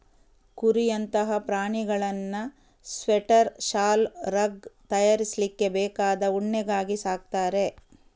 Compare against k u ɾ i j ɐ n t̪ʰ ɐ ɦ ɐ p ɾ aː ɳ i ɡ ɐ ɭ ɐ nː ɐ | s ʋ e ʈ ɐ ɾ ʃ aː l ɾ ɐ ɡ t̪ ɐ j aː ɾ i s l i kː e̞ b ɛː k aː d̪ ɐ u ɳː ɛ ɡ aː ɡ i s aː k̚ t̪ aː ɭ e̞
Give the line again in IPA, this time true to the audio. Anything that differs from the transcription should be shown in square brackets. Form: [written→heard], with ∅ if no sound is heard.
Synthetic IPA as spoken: k u ɾ i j ɐ n [t̪ʰ→t̪] ɐ ɦ ɐ p ɾ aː ɳ i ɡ ɐ ɭ ɐ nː ɐ | s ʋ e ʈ ɐ ɾ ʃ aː l ɾ ɐ ɡ t̪ ɐ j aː ɾ i s l i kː e̞ b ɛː k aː d̪ ɐ u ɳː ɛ ɡ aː ɡ i s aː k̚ t̪ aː [ɭ→ɾ] e̞

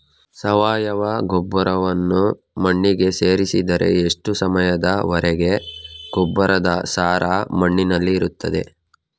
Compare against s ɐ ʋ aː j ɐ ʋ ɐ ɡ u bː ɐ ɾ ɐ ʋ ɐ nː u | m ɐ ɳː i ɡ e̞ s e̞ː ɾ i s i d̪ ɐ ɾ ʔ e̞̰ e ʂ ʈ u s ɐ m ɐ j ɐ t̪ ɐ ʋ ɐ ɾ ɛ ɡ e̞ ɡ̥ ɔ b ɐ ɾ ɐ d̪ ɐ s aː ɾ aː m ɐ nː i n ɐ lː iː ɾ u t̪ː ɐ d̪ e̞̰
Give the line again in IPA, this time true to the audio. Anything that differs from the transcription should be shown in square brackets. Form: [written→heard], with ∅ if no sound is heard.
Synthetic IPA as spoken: s ɐ ʋ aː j ɐ ʋ ɐ ɡ [u→ɔ] bː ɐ ɾ ɐ ʋ ɐ nː u | m ɐ ɳː i ɡ e̞ s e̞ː ɾ i s i d̪ ɐ ɾ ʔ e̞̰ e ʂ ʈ u s ɐ m ɐ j ɐ [t̪→d̪] ɐ ʋ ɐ ɾ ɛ ɡ e̞ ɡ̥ ɔ [b→bː] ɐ ɾ ɐ d̪ ɐ s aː ɾ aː m ɐ [nː→ɳː] i n ɐ lː iː ɾ u t̪ː ɐ d̪ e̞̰

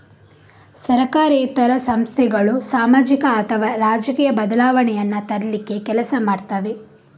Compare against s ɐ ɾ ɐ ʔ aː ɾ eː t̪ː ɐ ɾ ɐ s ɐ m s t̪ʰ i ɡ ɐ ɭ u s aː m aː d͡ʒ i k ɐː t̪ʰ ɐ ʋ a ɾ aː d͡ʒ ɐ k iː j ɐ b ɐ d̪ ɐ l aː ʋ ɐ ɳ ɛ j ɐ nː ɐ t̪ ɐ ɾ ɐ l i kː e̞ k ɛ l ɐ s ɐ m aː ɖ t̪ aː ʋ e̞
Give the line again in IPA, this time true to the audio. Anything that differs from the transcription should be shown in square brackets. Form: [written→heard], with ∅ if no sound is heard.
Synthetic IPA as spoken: s ɐ ɾ ɐ [ʔ→k] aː ɾ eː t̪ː ɐ ɾ ɐ s ɐ m s t̪ʰ [i→ɛ] ɡ ɐ ɭ u s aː m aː d͡ʒ i k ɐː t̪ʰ ɐ ʋ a ɾ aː d͡ʒ ɐ k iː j ɐ b ɐ d̪ ɐ l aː ʋ ɐ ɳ ɛ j ɐ nː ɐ t̪ ɐ ɾ ɐ l i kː e̞ k ɛ l ɐ s ɐ m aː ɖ t̪ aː ʋ e̞

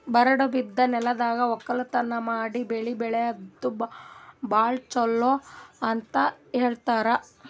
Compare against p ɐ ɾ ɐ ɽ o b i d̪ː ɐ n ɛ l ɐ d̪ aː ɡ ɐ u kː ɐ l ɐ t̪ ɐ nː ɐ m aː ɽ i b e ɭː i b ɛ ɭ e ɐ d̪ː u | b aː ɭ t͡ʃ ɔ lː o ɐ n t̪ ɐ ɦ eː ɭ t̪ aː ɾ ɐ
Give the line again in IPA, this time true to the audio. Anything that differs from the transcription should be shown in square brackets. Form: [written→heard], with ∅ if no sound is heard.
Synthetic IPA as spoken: [p→b] ɐ ɾ ɐ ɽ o b i d̪ː ɐ n ɛ l ɐ d̪ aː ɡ ɐ [u→ɔ] kː ɐ l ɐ t̪ ɐ nː ɐ m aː ɽ i b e [ɭː→ɭ] i b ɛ ɭ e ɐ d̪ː u | b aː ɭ t͡ʃ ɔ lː o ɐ n t̪ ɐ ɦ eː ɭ t̪ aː ɾ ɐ

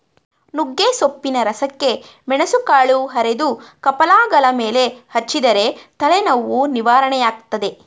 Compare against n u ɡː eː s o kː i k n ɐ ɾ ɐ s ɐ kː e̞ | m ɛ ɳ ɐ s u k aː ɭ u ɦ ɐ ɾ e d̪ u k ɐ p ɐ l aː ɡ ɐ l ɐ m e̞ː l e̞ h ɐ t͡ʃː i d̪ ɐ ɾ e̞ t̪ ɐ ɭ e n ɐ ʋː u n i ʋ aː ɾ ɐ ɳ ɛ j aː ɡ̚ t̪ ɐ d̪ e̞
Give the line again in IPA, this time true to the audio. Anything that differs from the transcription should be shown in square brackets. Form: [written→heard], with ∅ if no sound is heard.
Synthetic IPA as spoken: n u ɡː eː s o [kː→pː] i [k→∅] n ɐ ɾ ɐ s ɐ kː e̞ | m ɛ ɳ ɐ s u k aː ɭ u ɦ ɐ ɾ e d̪ u k ɐ p ɐ l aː ɡ ɐ l ɐ m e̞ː l e̞ h ɐ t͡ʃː i d̪ ɐ ɾ e̞ t̪ ɐ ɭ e n ɐ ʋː u n i ʋ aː ɾ ɐ ɳ ɛ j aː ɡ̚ t̪ ɐ d̪ e̞

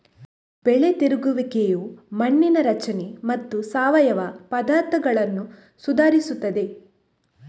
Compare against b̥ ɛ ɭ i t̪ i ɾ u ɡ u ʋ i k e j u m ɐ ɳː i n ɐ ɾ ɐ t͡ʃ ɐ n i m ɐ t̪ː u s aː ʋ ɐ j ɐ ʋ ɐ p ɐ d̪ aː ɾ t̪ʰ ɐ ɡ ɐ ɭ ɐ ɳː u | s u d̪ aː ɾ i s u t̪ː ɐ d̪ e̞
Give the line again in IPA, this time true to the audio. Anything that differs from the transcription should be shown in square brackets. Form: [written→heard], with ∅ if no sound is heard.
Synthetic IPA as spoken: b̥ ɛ ɭ [i→e] t̪ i ɾ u ɡ u ʋ i k e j u m ɐ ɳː i n ɐ ɾ ɐ t͡ʃ ɐ n [i→e] m ɐ t̪ː u s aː ʋ ɐ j ɐ ʋ ɐ p ɐ d̪ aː ɾ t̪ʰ ɐ ɡ ɐ ɭ ɐ [ɳː→nː] u | s u d̪ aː ɾ i s u t̪ː ɐ d̪ e̞

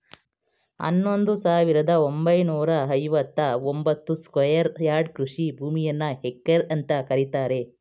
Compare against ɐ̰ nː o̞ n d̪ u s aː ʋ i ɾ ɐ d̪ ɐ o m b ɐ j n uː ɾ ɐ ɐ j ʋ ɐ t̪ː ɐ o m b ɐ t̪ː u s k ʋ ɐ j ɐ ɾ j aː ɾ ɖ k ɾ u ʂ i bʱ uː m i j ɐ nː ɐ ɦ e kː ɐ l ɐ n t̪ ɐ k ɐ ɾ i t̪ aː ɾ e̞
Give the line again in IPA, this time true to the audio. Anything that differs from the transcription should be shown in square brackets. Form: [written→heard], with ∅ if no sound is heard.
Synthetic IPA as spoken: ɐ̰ nː o̞ n d̪ u s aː ʋ i ɾ ɐ d̪ ɐ o m b ɐ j n uː ɾ ɐ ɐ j ʋ ɐ t̪ː ɐ o m b ɐ t̪ː u s k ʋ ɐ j ɐ ɾ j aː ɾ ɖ k ɾ u ʂ i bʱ uː m i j ɐ nː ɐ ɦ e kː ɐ [l→ɾ] ɐ n t̪ ɐ k ɐ ɾ i t̪ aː ɾ e̞

